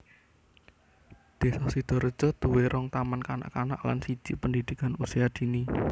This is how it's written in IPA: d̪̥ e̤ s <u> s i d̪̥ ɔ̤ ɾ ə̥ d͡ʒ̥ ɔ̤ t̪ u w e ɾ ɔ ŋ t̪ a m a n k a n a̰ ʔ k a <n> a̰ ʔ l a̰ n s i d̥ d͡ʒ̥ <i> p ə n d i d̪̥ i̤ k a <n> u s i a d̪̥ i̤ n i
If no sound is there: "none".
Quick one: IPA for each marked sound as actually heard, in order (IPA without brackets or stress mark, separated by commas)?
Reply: ɔ, n, i, n